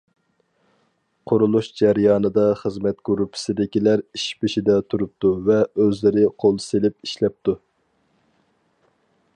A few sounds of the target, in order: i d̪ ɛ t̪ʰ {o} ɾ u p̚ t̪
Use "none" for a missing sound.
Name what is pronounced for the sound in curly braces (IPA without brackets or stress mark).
u